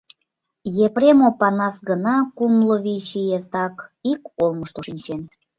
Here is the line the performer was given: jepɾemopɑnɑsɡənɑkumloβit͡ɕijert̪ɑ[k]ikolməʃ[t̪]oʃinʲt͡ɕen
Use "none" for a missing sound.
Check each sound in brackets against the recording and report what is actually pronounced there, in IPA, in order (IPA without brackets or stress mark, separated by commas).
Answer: k, t̪